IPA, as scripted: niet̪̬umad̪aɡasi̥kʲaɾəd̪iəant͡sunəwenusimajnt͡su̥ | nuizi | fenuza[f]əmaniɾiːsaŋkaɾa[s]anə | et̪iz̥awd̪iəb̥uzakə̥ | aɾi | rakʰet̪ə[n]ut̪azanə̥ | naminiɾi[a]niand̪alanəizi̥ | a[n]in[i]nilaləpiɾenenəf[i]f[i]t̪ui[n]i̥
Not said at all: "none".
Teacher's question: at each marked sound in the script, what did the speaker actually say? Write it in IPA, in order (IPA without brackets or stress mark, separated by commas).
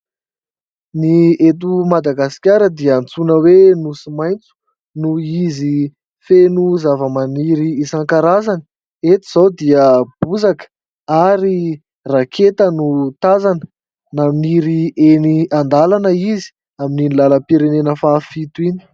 v, z, n, e, m, i, a, i, n